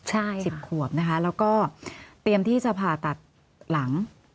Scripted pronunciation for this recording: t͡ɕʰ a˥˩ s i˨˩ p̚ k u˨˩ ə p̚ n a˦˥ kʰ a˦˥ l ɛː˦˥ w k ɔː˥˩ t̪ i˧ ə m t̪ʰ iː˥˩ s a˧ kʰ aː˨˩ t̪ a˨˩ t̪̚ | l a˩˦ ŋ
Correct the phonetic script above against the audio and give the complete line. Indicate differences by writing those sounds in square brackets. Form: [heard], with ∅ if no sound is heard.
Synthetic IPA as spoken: t͡ɕʰ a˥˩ s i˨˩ p̚ [kʰ] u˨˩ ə p̚ n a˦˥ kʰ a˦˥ l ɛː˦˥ w k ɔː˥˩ t̪ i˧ ə m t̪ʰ iː˥˩ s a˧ [pʰ] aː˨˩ t̪ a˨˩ t̪̚ | l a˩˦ ŋ